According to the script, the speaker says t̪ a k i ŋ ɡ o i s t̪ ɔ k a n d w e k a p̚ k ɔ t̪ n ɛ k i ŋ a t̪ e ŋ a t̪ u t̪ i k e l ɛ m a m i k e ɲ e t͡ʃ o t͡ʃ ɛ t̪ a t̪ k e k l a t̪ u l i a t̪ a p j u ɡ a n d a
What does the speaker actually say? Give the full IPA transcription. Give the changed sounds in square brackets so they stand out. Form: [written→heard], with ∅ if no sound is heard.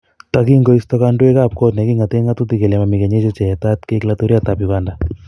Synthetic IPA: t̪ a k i ŋ ɡ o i s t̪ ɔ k a n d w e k a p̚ k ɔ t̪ n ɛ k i ŋ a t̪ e ŋ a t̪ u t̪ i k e l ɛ m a m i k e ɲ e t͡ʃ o t͡ʃ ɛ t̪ a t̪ k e k l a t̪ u [l→ɾ] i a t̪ a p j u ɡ a n d a